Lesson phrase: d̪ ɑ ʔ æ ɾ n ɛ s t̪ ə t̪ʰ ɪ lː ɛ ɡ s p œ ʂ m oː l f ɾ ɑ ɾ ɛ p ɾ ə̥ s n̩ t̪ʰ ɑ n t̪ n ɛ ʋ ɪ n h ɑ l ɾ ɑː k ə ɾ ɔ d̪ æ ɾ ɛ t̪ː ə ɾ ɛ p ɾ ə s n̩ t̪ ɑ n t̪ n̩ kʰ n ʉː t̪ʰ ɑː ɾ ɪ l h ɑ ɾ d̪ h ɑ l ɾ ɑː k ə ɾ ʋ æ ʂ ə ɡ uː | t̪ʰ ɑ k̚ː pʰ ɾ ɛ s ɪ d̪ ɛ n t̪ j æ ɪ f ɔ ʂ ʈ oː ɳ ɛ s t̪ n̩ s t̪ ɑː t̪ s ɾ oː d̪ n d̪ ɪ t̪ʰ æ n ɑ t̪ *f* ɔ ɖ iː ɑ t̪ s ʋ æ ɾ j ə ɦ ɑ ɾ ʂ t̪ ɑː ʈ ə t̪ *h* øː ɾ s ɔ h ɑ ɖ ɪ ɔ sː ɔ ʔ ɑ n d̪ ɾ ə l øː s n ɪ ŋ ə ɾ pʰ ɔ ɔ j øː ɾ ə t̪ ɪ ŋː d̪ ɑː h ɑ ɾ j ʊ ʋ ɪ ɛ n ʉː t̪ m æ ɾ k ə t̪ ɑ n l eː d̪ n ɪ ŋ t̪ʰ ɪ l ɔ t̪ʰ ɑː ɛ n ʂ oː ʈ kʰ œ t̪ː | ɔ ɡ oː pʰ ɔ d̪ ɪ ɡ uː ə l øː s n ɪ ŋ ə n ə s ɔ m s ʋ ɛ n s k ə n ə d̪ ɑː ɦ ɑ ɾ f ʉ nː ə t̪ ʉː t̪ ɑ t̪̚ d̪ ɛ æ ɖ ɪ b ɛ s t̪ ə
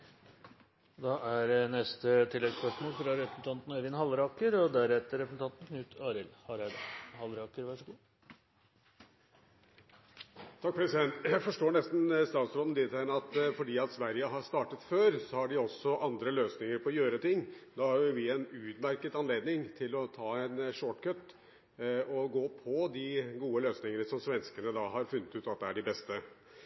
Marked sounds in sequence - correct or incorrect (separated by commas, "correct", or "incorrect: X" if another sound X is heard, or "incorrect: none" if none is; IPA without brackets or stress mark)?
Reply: correct, incorrect: f